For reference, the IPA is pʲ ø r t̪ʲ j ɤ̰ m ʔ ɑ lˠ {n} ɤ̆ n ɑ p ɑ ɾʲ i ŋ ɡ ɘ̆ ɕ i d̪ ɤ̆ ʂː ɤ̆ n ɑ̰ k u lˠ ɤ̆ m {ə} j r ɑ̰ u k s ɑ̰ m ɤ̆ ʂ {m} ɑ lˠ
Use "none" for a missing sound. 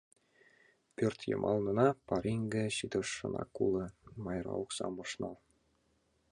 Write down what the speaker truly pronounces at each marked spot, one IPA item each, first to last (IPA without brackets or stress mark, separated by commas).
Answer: n, ɑ, n